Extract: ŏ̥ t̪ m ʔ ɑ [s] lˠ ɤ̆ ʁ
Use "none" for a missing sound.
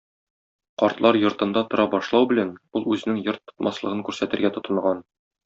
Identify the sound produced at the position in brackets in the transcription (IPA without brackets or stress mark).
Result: s